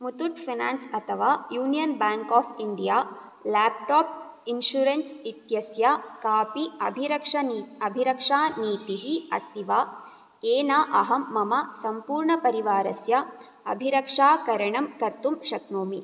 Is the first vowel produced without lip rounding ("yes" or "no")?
no